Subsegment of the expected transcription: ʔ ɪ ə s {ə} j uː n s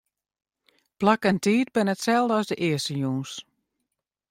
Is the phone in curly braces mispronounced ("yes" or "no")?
no